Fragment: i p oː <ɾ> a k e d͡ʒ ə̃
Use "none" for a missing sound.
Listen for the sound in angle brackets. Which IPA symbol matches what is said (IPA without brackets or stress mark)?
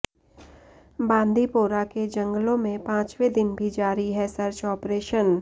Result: ɾ